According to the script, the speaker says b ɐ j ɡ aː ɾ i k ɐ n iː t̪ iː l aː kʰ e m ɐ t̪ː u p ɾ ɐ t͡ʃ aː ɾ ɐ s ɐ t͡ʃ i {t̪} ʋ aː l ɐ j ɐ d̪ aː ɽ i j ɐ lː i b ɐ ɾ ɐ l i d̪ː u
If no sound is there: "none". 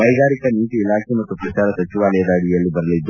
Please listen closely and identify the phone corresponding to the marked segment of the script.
none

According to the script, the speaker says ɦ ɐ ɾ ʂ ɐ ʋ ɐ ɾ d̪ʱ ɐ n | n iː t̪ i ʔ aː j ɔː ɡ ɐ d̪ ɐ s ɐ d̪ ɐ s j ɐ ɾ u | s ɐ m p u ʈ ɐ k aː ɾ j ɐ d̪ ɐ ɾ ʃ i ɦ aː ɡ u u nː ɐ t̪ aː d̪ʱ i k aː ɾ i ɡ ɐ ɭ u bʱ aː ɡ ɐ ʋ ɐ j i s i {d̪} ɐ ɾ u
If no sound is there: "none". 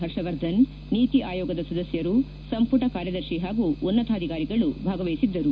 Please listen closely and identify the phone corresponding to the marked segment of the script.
d̪ː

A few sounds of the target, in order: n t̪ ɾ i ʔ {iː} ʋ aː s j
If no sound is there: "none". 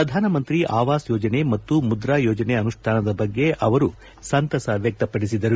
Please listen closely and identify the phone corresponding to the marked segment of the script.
aː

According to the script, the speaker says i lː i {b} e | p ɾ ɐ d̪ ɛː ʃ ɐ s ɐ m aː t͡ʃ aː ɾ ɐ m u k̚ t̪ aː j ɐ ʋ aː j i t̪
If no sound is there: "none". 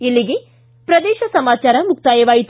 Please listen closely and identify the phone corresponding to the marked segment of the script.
ɡ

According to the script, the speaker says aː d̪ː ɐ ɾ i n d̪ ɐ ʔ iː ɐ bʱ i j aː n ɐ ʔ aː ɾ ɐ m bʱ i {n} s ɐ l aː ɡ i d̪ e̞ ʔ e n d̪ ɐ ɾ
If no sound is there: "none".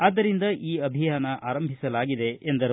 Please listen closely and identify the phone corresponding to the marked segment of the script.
none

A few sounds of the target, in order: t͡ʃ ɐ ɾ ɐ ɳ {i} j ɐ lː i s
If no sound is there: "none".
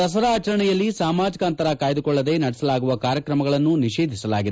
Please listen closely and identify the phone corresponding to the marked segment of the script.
ɛ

